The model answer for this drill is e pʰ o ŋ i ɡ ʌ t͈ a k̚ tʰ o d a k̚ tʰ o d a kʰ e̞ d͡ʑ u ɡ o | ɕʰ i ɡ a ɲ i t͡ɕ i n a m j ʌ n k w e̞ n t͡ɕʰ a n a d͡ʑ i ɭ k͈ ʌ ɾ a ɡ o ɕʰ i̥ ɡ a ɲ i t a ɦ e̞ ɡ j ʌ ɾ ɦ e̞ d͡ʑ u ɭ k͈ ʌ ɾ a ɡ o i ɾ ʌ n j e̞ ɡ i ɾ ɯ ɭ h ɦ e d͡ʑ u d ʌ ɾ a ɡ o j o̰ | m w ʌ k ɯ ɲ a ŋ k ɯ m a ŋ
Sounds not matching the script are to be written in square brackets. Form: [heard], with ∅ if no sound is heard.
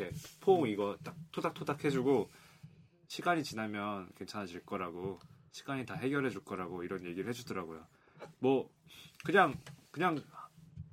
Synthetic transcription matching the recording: e pʰ o ŋ i ɡ ʌ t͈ a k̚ tʰ o d a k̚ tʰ o d a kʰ e̞ d͡ʑ u ɡ o | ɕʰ i ɡ a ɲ i t͡ɕ i n a m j ʌ n k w e̞ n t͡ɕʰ a n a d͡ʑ i ɭ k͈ ʌ ɾ a ɡ o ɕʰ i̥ ɡ a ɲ i t a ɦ e̞ ɡ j ʌ ɾ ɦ e̞ d͡ʑ u ɭ k͈ ʌ ɾ a ɡ o i ɾ ʌ n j e̞ ɡ i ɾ ɯ ɭ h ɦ e d͡ʑ u d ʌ ɾ a ɡ o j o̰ | m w ʌ k ɯ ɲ a ŋ k ɯ [ɲ] a ŋ